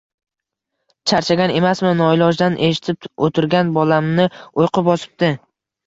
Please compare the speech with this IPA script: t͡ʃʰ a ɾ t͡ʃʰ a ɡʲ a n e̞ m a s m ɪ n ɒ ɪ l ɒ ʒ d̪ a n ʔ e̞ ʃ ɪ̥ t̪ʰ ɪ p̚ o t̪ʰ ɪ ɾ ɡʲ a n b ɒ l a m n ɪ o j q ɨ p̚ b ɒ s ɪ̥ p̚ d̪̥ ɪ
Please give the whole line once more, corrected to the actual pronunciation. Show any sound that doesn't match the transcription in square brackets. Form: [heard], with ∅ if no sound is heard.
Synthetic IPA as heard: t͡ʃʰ a ɾ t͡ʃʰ a ɡʲ a n e̞ m a s m ɪ n ɒ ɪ l ɒ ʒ d̪ a n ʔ e̞ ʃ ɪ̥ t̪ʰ ɪ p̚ o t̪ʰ ɪ ɾ ɡʲ a n b ɒ l a m n ɪ o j q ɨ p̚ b ɒ s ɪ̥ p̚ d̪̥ ɪ